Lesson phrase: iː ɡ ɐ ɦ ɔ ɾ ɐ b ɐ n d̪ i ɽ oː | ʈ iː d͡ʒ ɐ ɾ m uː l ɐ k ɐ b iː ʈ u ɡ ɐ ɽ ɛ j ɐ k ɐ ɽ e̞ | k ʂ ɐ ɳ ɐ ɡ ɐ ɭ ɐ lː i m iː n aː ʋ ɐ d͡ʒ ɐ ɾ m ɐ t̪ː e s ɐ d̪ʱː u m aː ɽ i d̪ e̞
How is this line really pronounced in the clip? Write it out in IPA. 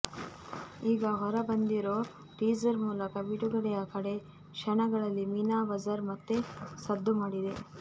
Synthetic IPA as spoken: iː ɡ ɐ ɦ ɔ ɾ ɐ b ɐ n d̪ i ɾ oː | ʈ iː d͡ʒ ɐ ɾ m uː l ɐ k ɐ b i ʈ u ɡ ɐ ɽ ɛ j ɐ k ɐ ɽ e̞ | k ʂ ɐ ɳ ɐ ɡ ɐ ɭ ɐ lː i m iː n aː ʋ ɐ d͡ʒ ɐ ɾ m ɐ t̪ː e s ɐ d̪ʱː u m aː ɽ i d̪ e̞